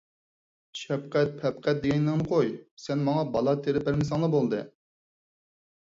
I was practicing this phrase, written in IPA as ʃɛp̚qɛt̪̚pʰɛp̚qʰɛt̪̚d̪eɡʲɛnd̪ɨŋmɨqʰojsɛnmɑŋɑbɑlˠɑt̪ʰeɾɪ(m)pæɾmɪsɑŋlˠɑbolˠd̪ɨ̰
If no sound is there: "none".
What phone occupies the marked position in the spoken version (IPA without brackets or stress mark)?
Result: none